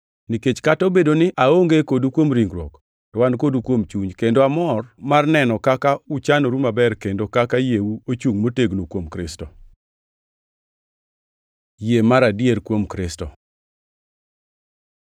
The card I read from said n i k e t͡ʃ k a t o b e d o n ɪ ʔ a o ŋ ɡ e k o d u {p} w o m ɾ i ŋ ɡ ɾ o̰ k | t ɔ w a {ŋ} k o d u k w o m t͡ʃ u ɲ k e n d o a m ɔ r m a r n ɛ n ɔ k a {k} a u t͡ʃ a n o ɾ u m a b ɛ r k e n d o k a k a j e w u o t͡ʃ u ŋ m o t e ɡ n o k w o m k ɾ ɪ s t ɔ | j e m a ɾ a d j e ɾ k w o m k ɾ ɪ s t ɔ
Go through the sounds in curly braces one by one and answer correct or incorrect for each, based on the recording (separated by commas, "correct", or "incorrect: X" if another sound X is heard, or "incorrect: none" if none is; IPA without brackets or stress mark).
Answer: incorrect: k, incorrect: n, correct